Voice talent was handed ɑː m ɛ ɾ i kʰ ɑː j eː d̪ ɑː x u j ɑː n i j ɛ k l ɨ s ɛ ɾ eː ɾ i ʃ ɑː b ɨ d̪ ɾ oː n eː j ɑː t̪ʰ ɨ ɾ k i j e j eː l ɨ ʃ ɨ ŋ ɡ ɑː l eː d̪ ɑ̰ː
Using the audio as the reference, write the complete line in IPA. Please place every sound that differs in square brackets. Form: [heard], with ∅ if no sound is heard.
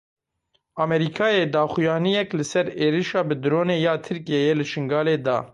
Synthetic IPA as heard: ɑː m ɛ ɾ i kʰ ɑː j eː d̪ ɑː x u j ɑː n i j ɛ k l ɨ s ɛ ɾ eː ɾ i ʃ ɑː b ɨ d̪ ɾ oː n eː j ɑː t̪ʰ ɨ ɾ k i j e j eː l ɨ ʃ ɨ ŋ ɡ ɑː l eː d̪ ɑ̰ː